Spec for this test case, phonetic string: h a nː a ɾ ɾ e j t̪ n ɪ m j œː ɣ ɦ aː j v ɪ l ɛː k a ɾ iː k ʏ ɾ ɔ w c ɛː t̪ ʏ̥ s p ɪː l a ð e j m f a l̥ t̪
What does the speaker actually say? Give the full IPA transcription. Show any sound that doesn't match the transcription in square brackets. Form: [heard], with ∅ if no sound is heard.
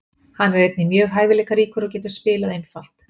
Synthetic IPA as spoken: h a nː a ɾ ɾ e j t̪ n ɪ m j œː ɣ ɦ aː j v ɪ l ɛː k a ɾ iː k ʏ ɾ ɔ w c ɛː t̪ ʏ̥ s p ɪː l a ð e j [n] f a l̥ t̪